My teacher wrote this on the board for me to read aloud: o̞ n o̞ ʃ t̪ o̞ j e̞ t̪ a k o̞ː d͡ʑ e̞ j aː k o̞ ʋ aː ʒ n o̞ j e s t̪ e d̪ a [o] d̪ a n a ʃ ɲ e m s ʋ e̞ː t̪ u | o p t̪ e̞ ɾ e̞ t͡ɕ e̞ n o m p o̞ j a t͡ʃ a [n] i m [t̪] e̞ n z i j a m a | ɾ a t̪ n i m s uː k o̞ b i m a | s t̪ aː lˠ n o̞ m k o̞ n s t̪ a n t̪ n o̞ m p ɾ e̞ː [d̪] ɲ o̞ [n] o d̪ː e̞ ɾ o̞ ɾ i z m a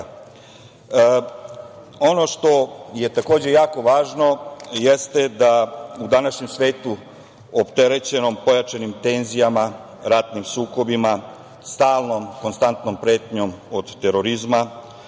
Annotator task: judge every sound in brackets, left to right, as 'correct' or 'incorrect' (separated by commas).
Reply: incorrect, correct, correct, incorrect, incorrect